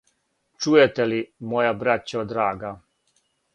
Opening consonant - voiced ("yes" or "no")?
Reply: no